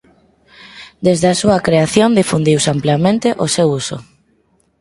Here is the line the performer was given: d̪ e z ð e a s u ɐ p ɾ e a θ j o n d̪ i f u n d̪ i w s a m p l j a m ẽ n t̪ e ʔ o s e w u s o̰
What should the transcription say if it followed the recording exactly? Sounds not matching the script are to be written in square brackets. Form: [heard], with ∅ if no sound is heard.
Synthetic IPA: d̪ e z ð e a s u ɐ [k] ɾ e a θ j o n d̪ i f u n d̪ i w s a m p l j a m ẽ n t̪ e ʔ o s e w u s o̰